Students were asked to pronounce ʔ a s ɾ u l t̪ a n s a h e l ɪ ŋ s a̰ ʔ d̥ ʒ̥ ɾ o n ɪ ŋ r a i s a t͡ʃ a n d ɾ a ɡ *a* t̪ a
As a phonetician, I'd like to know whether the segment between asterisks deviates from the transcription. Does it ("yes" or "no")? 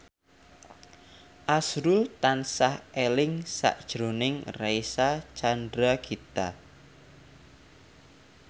yes